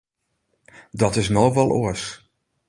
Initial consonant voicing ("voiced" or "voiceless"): voiced